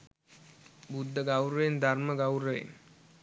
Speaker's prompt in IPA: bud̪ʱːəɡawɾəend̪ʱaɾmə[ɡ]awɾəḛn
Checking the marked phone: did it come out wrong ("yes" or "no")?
no